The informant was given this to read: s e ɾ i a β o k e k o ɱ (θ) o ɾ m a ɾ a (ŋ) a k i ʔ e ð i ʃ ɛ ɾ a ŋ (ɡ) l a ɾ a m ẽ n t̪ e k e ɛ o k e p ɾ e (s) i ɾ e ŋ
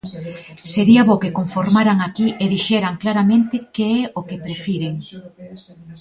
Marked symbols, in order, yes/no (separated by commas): no, yes, no, no